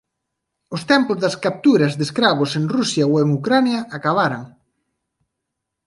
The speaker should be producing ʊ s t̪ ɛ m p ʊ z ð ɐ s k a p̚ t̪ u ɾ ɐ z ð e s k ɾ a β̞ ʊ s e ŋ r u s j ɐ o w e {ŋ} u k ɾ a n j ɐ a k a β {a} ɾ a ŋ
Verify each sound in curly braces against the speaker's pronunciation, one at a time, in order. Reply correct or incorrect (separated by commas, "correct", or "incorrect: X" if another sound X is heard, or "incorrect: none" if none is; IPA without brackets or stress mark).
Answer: correct, correct